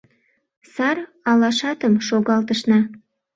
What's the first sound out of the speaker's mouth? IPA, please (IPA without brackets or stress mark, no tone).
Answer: s